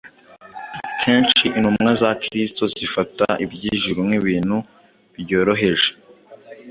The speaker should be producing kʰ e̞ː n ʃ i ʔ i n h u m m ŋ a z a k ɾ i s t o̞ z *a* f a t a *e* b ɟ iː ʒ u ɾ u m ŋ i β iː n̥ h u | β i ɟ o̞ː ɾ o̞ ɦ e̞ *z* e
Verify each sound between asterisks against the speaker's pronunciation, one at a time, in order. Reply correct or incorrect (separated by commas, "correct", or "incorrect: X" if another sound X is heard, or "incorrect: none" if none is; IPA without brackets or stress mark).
incorrect: i, incorrect: i, incorrect: ʒ